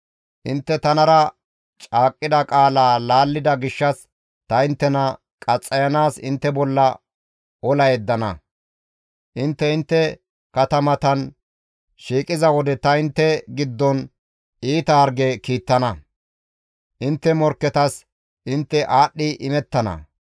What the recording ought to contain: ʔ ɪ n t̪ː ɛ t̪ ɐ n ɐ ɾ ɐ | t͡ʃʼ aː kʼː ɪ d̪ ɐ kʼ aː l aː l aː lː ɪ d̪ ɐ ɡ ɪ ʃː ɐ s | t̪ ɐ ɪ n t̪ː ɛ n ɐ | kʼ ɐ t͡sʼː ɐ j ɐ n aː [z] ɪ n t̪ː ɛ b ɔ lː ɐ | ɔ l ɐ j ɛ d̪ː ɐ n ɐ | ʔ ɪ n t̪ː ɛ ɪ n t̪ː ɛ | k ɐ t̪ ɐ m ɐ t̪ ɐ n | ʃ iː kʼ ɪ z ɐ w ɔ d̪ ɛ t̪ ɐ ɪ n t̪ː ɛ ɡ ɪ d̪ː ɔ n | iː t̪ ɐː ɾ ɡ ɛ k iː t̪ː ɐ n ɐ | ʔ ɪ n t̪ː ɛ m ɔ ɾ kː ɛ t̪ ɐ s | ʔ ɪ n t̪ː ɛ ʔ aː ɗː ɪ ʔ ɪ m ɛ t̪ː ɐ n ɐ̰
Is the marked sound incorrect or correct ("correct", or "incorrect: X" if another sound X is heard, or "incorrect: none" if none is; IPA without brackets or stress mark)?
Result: incorrect: s